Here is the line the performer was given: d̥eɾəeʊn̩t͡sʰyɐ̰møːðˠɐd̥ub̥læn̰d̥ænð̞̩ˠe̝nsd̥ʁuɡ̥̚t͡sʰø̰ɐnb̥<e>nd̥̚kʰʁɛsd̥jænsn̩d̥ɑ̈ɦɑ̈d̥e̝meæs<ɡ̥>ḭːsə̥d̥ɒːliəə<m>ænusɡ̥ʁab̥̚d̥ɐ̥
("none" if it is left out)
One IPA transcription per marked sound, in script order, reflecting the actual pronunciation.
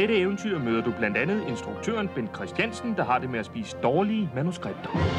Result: e, b̥, m

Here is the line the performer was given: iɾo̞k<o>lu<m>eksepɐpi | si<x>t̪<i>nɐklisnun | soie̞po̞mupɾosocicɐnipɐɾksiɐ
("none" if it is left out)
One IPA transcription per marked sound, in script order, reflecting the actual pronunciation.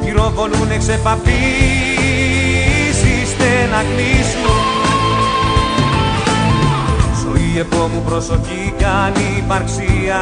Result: o, n, s, e

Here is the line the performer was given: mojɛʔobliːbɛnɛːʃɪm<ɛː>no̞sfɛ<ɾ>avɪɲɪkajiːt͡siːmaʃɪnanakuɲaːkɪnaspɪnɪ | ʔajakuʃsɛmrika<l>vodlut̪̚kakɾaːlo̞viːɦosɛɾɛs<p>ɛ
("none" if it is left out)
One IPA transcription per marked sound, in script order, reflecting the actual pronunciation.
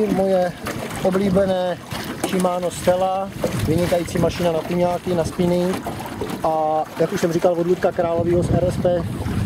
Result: aː, l, l, p

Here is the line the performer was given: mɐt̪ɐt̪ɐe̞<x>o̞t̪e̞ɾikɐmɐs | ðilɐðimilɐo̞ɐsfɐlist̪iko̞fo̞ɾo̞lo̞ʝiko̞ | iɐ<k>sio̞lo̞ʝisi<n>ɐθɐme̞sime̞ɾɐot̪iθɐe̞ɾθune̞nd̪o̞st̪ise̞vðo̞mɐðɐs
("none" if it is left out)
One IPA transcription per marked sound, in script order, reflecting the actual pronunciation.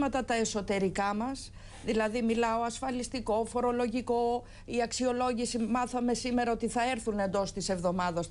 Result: s, k, m

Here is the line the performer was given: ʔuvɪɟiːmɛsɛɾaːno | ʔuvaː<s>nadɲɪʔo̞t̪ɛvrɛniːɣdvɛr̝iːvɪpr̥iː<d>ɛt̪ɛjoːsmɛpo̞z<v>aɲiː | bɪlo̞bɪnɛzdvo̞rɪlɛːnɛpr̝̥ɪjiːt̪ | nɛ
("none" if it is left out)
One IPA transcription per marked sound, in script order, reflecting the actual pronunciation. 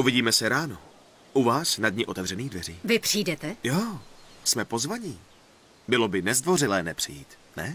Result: s, d, v

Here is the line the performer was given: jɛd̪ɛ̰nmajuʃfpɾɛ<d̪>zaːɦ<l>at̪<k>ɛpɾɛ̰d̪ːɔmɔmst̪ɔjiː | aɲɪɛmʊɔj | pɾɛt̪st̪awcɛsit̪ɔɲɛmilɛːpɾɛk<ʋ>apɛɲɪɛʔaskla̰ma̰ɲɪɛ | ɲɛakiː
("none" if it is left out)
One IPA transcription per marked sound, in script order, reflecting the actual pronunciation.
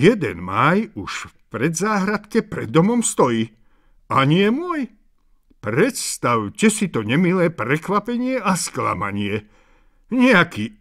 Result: d̪, ɾ, k, ʋ

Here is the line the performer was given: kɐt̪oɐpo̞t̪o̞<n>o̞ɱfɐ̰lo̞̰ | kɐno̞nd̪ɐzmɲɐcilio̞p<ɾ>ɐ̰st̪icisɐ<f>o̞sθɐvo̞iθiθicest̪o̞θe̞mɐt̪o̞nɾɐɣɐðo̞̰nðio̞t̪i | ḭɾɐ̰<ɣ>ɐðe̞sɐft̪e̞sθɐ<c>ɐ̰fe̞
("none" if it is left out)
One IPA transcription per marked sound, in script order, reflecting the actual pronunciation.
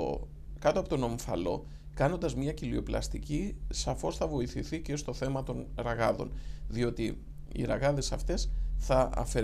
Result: n, l, f, ɣ, none

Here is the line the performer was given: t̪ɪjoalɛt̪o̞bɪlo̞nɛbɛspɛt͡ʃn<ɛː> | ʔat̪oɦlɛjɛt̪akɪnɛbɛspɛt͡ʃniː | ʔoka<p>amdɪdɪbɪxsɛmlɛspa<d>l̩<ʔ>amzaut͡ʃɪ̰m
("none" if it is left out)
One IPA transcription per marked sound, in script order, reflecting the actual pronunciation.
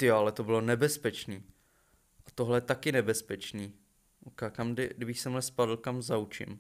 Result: iː, k, d, k

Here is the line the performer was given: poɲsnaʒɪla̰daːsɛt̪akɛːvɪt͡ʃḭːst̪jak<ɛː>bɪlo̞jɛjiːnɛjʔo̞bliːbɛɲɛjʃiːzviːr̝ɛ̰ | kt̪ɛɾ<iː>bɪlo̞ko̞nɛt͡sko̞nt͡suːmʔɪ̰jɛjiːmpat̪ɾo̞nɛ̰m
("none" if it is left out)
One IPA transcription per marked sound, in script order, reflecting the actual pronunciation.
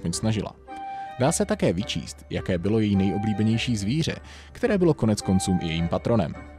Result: ɛː, ɛː

